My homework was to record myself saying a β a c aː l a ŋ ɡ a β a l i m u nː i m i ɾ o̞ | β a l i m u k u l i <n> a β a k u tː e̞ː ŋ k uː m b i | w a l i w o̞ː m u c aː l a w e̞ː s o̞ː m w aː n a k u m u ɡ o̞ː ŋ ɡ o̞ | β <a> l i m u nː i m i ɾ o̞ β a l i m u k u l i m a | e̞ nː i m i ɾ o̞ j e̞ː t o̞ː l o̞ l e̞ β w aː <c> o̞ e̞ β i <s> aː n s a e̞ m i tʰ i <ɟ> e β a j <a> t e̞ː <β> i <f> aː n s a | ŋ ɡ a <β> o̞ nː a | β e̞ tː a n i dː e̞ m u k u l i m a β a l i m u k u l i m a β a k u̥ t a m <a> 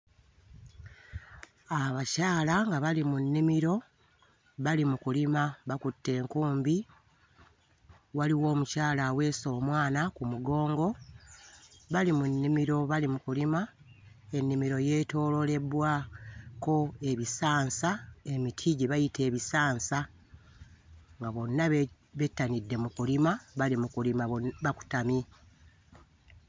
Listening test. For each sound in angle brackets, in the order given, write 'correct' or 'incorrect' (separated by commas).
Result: incorrect, correct, incorrect, correct, correct, incorrect, correct, incorrect, correct, incorrect